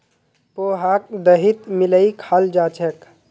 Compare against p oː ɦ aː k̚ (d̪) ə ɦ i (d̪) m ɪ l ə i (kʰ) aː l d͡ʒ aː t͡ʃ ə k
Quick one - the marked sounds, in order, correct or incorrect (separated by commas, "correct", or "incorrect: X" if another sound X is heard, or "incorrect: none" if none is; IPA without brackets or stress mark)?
correct, incorrect: t̪, correct